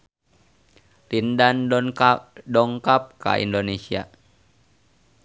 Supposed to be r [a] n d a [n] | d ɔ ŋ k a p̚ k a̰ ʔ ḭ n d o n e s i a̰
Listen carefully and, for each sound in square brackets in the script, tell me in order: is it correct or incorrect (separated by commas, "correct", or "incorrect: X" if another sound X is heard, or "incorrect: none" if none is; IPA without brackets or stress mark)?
incorrect: i, correct